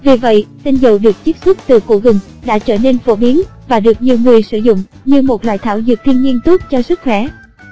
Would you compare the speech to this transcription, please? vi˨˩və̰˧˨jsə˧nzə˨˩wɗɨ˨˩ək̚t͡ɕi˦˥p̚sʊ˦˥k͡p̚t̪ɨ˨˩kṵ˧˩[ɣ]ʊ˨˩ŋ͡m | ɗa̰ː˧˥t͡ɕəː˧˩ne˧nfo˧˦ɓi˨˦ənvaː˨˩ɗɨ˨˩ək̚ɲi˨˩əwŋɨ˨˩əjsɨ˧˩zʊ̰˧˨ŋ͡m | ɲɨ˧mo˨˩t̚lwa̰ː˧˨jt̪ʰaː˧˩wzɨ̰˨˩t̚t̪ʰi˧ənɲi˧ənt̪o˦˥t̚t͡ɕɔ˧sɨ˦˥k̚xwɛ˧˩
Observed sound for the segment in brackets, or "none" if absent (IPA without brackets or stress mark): ɣ